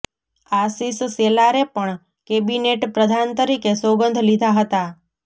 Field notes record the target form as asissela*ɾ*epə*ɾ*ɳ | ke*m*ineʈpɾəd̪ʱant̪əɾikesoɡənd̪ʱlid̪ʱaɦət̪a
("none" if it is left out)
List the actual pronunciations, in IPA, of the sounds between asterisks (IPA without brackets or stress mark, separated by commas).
ɾ, none, b